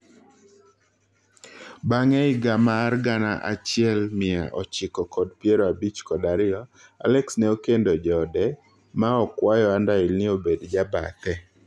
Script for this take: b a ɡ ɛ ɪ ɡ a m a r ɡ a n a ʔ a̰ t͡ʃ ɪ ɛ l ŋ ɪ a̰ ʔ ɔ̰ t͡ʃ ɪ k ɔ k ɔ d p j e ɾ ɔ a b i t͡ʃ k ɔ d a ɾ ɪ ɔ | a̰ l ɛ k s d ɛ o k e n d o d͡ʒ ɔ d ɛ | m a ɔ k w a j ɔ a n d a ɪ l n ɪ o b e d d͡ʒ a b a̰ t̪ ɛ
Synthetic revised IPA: b a ŋ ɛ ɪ ɡ a m a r ɡ a n a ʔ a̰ t͡ʃ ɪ ɛ l m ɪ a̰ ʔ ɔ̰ t͡ʃ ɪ k ɔ k ɔ d p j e ɾ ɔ a b i t͡ʃ k ɔ d a ɾ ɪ ɔ | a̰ l ɛ k s n ɛ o k e n d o d͡ʒ ɔ d ɛ | m a ɔ k w a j ɔ a n d a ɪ l n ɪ o b e d d͡ʒ a b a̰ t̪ ɛ